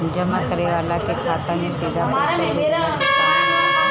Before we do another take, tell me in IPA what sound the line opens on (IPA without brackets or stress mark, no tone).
d͡ʒ